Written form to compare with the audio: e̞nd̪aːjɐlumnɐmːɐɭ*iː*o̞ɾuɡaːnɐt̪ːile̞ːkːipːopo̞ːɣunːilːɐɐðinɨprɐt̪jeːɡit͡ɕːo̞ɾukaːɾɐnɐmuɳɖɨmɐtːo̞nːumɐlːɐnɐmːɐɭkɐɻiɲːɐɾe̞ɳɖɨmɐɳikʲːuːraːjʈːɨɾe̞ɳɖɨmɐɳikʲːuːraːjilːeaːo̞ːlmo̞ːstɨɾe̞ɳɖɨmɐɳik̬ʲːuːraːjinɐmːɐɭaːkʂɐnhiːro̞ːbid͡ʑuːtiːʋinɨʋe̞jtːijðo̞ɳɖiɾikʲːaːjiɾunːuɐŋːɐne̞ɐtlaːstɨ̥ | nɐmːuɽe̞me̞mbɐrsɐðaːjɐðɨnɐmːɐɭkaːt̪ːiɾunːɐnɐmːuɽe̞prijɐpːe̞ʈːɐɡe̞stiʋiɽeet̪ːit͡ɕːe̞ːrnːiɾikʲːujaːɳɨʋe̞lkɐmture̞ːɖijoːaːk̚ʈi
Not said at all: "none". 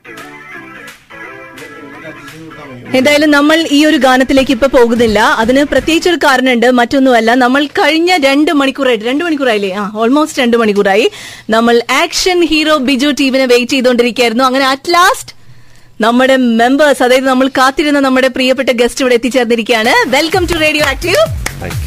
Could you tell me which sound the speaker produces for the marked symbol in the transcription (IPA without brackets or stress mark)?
iː